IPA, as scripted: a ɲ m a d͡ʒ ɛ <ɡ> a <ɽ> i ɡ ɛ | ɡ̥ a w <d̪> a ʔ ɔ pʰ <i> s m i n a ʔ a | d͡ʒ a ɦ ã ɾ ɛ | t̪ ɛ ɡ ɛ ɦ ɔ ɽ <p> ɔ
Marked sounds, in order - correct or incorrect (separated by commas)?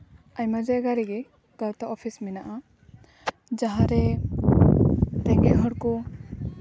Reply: correct, incorrect, incorrect, correct, incorrect